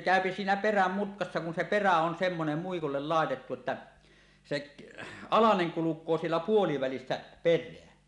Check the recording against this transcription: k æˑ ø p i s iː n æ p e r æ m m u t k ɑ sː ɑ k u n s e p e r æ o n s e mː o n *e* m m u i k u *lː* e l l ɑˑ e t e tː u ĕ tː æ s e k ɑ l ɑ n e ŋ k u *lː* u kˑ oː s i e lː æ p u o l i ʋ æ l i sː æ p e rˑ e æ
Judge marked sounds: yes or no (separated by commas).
yes, yes, no